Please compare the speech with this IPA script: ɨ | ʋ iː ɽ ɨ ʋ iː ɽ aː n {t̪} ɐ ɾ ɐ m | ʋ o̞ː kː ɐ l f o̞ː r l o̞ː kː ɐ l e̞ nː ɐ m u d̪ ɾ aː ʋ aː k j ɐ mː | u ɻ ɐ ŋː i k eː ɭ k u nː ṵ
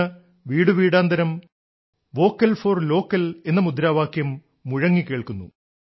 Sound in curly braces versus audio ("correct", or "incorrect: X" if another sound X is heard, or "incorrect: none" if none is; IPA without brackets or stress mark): incorrect: d̪